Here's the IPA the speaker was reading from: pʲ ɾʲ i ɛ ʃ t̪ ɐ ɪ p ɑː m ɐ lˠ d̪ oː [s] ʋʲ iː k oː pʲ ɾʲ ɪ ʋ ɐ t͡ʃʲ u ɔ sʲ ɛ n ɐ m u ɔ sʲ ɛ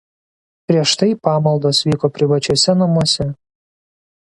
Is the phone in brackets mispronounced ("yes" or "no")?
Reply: no